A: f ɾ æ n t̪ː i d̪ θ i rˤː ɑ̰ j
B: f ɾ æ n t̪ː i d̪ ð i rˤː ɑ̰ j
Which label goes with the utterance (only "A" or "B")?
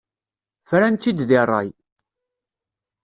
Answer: B